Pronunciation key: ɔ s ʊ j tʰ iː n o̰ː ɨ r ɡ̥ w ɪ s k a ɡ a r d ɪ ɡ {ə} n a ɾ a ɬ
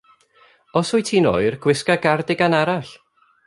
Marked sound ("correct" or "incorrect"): incorrect